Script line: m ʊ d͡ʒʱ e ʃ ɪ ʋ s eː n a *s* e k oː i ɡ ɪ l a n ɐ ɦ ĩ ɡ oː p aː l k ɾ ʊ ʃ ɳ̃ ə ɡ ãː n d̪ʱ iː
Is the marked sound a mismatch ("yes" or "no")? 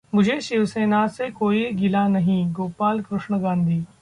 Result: no